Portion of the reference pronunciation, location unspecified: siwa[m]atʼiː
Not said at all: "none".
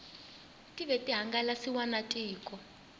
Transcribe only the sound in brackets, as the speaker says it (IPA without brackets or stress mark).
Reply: n